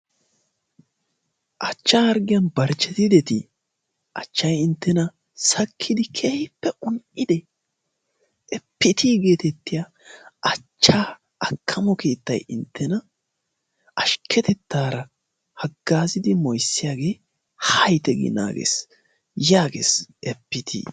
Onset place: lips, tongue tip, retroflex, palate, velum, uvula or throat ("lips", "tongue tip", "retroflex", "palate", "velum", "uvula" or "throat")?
throat